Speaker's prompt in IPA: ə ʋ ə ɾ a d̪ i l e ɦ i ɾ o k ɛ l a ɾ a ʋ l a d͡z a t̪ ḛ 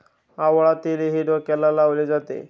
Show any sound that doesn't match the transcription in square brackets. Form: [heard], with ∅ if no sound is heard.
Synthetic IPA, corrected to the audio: [a] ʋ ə [ɭ] a [t̪] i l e ɦ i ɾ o k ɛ l a [l] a ʋ l [e] d͡z a t̪ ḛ